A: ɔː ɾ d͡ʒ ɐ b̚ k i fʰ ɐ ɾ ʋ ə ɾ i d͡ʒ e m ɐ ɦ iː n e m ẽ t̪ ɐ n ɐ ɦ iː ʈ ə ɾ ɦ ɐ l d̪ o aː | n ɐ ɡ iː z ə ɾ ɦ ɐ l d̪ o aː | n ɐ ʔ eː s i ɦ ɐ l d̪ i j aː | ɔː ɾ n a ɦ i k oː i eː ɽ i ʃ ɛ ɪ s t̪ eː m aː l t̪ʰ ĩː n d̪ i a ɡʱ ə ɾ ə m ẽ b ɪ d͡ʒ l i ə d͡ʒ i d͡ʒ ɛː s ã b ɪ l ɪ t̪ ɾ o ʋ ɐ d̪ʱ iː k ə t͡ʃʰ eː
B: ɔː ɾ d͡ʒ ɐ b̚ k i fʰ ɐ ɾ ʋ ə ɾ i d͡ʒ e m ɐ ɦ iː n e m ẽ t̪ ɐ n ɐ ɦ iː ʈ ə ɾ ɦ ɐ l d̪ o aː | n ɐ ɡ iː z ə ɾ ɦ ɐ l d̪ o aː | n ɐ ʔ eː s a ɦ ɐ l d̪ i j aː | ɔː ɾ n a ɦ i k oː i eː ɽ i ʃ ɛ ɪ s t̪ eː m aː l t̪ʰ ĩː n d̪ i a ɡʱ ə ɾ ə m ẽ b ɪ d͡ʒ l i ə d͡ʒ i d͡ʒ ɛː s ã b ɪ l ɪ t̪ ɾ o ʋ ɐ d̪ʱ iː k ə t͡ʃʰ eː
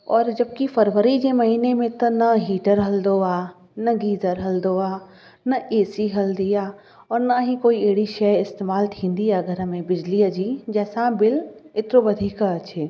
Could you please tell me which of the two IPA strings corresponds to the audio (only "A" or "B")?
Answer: A